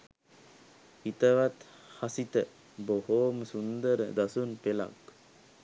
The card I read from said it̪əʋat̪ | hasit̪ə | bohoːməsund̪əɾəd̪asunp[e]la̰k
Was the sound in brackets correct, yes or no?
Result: yes